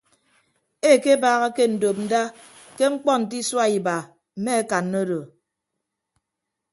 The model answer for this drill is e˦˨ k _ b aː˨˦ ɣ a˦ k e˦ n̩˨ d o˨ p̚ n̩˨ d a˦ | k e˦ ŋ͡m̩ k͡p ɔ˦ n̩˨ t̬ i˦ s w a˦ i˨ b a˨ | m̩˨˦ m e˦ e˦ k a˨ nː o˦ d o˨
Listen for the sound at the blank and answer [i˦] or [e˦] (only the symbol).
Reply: e˦